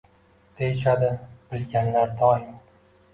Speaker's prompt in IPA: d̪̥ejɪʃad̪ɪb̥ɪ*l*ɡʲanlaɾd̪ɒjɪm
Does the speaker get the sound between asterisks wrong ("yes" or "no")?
no